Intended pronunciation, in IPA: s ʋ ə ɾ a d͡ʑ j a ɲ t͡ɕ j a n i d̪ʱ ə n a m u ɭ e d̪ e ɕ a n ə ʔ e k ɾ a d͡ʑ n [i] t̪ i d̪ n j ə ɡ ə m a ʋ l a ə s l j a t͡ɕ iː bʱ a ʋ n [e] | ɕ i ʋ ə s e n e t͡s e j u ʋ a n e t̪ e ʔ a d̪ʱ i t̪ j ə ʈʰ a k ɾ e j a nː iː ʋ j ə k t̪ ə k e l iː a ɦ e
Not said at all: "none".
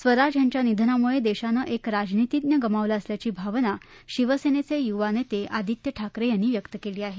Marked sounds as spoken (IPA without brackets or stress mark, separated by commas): i, a